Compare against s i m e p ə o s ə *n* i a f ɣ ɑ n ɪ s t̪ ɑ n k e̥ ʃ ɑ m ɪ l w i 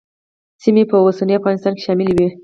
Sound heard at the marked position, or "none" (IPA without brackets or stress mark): n